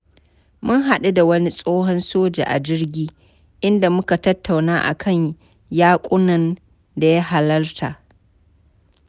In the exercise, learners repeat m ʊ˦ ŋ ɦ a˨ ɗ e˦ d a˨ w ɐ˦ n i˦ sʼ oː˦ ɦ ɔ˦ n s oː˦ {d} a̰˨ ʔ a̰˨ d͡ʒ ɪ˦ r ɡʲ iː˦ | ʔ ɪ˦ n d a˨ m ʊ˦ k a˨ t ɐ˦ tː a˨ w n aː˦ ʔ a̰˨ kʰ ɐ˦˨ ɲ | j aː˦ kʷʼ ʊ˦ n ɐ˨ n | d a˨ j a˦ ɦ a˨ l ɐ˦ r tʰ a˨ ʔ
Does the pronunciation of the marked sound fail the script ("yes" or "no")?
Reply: yes